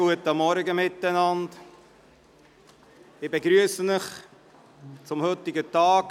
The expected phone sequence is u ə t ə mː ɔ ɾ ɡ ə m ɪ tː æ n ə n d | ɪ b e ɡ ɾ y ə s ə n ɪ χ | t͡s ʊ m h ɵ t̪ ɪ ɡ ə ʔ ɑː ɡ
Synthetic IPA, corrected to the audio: u ə t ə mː ɔ ɾ ɡ ə m ɪ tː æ n ɑ n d | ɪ b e ɡ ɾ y ə s ə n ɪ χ | t͡s ʊ m h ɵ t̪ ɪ ɡ ə t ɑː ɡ